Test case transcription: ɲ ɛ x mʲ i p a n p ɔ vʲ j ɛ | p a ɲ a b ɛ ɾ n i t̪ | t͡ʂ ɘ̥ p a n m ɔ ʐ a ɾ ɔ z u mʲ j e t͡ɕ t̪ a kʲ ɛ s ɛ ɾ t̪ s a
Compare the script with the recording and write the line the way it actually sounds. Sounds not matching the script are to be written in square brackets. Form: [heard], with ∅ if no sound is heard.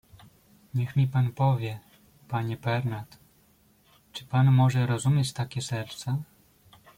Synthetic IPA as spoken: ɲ ɛ x mʲ i p a n p ɔ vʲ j ɛ | p a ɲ [ɛ] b ɛ ɾ n [a] t̪ | t͡ʂ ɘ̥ p a n m ɔ ʐ [ɛ] ɾ ɔ z u mʲ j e t͡ɕ t̪ a kʲ ɛ s ɛ ɾ t̪ s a